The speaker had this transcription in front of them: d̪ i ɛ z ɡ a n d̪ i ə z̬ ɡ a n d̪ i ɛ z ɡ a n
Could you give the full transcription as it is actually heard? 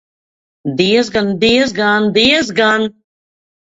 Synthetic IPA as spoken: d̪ i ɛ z ɡ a n d̪ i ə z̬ ɡ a n d̪ i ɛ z ɡ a n